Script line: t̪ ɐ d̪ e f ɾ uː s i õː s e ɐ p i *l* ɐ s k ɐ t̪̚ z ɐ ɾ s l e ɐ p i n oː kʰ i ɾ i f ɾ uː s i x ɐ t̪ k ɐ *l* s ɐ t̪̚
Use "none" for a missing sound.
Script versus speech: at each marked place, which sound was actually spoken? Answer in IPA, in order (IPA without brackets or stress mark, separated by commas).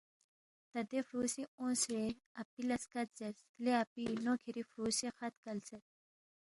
l, l